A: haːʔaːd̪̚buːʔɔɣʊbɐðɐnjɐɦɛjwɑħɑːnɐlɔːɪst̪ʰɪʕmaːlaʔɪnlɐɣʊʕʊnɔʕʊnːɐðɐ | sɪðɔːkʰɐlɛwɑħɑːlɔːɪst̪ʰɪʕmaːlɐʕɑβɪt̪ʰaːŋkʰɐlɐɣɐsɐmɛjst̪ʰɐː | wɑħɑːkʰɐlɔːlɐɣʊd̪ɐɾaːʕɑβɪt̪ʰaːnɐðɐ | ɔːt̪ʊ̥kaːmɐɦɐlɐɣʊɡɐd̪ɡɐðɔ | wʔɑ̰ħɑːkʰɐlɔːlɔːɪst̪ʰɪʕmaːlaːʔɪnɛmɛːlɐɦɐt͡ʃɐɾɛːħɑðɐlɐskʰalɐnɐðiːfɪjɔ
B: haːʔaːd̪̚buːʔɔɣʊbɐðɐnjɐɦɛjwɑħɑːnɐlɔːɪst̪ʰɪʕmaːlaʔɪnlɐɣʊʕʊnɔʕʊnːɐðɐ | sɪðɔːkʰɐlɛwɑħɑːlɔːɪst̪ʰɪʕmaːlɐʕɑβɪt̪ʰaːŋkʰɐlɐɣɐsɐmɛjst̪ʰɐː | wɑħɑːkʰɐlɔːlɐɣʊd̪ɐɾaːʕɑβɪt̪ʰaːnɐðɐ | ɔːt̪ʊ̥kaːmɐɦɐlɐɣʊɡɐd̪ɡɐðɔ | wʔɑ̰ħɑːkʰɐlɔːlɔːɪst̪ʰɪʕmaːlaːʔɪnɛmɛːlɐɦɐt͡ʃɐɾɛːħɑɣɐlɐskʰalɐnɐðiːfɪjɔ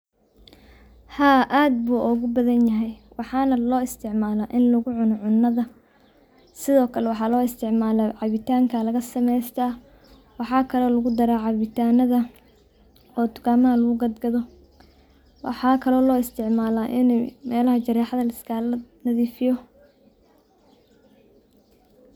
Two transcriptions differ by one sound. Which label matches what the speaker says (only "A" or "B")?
A